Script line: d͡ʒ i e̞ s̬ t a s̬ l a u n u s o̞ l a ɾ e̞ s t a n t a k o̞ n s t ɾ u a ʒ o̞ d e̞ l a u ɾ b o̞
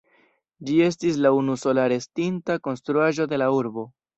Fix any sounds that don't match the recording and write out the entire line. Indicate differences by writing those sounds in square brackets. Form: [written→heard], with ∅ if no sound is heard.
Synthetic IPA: d͡ʒ i e̞ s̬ t [a→i] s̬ l a u n u s o̞ l a ɾ e̞ s t [a→i] n t a k o̞ n s t ɾ u a ʒ o̞ d e̞ l a u ɾ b o̞